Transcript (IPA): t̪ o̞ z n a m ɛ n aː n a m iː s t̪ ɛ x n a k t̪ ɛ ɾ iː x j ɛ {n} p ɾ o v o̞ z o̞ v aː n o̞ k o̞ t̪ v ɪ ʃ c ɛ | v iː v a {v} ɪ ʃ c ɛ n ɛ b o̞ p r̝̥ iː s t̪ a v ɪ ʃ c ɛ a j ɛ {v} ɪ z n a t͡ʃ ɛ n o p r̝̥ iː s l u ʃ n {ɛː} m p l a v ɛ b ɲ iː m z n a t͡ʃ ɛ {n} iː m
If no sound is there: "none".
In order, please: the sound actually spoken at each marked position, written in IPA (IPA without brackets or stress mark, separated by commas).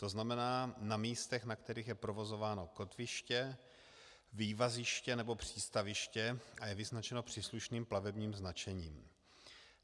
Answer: none, z, v, iː, ɲ